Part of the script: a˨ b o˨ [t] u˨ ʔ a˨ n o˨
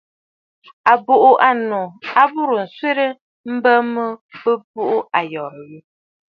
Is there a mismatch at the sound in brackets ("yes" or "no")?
yes